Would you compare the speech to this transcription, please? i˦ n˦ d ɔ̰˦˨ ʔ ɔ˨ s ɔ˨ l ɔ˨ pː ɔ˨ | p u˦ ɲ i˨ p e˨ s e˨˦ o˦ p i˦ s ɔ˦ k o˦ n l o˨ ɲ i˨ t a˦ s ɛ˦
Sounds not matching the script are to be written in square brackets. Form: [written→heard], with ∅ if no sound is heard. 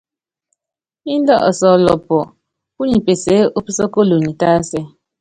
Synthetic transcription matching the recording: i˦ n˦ d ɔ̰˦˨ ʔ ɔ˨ s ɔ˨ l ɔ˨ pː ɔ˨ | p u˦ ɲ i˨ p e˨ s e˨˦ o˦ p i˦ s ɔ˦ k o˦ [n→∅] l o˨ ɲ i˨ t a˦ s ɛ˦